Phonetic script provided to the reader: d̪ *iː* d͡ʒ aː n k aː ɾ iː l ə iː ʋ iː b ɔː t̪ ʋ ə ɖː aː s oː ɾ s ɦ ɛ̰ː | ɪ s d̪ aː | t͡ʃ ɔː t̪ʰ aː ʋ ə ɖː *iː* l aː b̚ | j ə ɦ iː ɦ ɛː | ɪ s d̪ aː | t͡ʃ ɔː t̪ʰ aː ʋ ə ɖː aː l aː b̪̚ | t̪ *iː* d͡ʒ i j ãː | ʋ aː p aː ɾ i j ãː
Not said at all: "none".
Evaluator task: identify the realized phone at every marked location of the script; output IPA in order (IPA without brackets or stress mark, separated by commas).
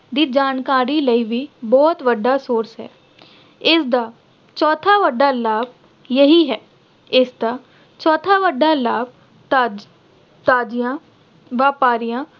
iː, aː, aː